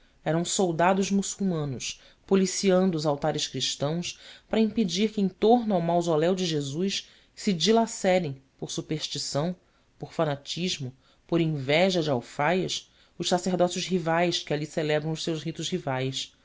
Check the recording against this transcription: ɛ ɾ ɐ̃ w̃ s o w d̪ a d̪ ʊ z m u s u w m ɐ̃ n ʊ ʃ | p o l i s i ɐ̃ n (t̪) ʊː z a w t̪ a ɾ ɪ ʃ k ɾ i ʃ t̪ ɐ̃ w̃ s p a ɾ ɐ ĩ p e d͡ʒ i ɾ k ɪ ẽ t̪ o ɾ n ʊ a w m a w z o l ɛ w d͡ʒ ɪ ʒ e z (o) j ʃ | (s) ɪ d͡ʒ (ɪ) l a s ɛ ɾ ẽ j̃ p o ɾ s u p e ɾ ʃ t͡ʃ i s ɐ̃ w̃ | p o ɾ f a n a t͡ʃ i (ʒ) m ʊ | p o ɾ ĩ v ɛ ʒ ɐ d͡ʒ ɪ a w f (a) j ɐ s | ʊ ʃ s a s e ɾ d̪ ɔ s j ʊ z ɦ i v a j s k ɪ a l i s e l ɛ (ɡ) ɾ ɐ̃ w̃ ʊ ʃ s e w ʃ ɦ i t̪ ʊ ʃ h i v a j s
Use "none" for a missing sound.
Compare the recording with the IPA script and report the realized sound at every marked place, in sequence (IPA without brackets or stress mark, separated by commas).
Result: d̪, u, s, i, ʒ, a, b